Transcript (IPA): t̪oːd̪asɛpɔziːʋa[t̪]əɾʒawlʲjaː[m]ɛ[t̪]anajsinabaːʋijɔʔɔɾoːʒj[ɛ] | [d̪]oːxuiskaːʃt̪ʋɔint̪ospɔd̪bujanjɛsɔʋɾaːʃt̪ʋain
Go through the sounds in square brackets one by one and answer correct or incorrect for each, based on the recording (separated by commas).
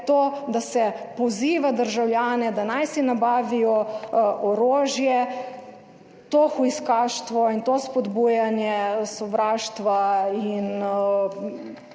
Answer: incorrect, incorrect, incorrect, correct, incorrect